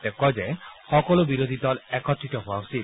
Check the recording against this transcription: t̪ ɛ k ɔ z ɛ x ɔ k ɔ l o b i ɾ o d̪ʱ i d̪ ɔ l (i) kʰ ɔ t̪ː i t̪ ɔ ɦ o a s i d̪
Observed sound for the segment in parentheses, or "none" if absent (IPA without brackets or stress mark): ɛ